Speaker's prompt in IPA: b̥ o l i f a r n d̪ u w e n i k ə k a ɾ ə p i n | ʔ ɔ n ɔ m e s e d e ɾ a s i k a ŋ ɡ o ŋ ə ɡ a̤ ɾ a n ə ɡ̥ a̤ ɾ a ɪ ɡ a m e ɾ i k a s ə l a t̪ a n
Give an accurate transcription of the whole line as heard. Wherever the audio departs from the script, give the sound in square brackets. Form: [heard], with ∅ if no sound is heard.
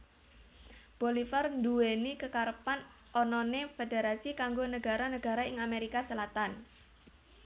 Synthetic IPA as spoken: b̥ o l i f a r n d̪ u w e n i k ə k a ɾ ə p [a] n | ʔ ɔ n ɔ [n] e [f] e d e ɾ a s i k a ŋ ɡ o [n] ə ɡ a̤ ɾ a n ə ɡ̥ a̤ ɾ a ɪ [ŋ] a m e ɾ i k a s ə l a t̪ a n